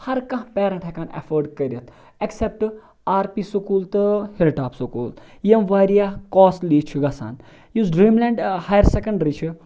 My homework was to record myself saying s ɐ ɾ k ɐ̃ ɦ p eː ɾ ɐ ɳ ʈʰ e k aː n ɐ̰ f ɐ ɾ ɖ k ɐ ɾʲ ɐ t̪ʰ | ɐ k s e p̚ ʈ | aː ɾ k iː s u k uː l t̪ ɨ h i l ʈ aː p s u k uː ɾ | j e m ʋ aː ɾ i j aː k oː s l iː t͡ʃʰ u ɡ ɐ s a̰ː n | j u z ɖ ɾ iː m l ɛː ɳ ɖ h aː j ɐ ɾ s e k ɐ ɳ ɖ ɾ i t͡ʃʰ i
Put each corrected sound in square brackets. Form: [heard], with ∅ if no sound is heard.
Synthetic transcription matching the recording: [h] ɐ ɾ k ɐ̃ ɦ p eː ɾ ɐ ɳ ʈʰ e k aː n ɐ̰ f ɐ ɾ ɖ k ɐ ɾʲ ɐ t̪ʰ | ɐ k s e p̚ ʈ | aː ɾ [p] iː s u k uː l t̪ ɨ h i l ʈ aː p s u k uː [l] | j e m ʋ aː ɾ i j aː k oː s l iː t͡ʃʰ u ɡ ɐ s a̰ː n | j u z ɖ ɾ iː m l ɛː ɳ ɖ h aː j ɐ ɾ s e k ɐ ɳ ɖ ɾ i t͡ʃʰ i

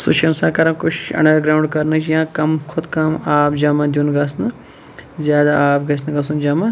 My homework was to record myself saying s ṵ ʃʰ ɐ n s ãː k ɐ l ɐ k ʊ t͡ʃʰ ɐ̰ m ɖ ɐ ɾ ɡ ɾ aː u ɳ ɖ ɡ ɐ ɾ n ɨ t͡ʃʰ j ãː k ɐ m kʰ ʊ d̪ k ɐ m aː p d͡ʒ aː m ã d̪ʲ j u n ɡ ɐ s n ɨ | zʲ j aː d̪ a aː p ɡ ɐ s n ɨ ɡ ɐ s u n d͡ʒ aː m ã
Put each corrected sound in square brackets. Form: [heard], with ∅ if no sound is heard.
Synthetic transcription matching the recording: s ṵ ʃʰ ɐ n s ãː k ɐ [ɾ] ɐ k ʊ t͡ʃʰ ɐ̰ [ɳ] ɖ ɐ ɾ ɡ ɾ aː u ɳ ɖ [k] ɐ ɾ n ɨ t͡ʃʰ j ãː k ɐ m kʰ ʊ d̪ k ɐ m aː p d͡ʒ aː m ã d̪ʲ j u n ɡ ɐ s n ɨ | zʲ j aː d̪ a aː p ɡ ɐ s n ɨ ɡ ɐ s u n d͡ʒ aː m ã

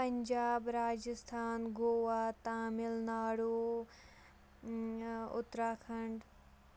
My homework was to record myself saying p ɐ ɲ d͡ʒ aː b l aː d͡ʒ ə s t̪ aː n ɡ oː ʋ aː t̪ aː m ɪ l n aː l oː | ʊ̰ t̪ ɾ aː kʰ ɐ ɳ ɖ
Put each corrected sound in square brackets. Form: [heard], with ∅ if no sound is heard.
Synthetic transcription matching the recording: p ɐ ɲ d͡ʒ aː b [ɾ] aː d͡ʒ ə s [t̪ʰ] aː n ɡ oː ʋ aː t̪ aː m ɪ l n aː [ɽ] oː | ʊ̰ t̪ ɾ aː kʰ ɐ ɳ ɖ

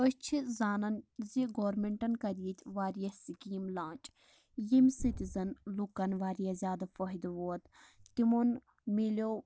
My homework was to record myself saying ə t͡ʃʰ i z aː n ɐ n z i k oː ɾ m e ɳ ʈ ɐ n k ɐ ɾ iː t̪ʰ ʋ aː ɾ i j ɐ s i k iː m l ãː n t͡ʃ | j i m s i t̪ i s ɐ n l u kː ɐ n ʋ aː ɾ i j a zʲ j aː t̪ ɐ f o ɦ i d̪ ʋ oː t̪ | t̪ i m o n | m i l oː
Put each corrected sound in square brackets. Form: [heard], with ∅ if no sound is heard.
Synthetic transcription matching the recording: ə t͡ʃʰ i z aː n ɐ n z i [ɡ] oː ɾ m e ɳ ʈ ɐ n k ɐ ɾ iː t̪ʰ ʋ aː ɾ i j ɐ s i k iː m l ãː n t͡ʃ | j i m s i t̪ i [z] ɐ n l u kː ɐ n ʋ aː ɾ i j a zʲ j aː [d̪] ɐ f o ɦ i d̪ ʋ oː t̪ | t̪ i m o n | m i l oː

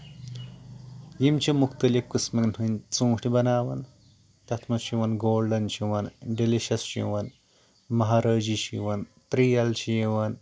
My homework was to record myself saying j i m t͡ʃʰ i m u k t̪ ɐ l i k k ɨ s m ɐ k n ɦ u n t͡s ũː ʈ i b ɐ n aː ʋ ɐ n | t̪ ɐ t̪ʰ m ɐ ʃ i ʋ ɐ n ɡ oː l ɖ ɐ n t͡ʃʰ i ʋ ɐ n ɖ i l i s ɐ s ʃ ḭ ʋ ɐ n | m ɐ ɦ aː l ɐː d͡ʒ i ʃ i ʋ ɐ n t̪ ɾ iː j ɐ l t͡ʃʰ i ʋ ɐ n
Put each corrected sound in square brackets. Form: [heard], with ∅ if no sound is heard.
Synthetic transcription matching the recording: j i m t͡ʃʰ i m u k t̪ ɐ l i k k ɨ s m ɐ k n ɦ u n t͡s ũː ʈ i b ɐ n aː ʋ ɐ n | t̪ ɐ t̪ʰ m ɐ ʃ i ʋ ɐ n ɡ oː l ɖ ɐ n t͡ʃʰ i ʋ ɐ n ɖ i l i [ʃ] ɐ s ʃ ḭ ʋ ɐ n | m ɐ ɦ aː [ɾ] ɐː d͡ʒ i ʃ i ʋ ɐ n t̪ ɾ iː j ɐ l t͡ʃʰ i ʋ ɐ n

